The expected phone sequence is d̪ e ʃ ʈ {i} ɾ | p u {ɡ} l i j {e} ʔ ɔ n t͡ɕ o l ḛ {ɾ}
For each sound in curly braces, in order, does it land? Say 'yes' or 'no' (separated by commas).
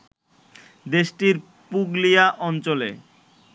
yes, yes, no, no